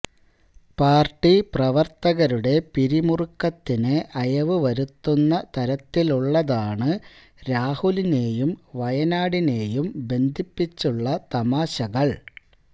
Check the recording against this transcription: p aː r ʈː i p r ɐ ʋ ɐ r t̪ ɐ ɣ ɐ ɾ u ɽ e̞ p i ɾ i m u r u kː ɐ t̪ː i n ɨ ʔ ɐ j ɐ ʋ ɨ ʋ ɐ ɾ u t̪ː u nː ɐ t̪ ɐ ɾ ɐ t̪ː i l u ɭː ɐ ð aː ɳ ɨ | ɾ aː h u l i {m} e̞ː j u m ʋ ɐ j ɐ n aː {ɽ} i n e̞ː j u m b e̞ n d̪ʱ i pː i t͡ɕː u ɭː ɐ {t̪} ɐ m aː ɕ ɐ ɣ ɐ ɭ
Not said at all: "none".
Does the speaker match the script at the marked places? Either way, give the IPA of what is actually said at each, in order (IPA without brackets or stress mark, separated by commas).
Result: n, ɽ, t̪